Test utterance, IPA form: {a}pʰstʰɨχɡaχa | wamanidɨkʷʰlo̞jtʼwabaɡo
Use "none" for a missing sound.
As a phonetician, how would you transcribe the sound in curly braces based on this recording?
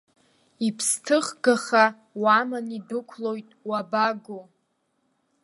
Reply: i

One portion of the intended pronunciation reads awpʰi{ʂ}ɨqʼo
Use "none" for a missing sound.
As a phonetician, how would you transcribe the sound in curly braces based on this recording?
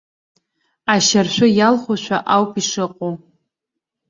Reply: ʂ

